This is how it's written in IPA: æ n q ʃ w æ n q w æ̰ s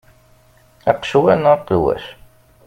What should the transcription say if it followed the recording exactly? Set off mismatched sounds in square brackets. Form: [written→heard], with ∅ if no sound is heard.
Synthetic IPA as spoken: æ [n→∅] q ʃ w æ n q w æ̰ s